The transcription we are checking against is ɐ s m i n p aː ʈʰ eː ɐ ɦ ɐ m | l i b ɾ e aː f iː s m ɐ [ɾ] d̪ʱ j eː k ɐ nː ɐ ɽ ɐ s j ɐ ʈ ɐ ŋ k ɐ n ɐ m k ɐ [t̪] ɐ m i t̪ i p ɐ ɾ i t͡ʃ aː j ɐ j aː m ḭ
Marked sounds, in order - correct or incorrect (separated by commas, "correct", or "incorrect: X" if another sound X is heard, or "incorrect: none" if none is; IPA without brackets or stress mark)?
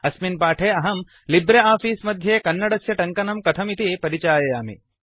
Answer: incorrect: none, incorrect: t̪ʰ